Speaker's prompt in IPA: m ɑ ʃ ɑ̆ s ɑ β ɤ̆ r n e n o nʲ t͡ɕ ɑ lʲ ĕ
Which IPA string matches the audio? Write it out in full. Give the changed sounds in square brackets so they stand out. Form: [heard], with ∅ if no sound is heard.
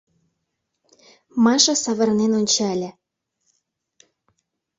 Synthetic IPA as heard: m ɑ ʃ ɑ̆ s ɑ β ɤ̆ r n e n o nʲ t͡ɕ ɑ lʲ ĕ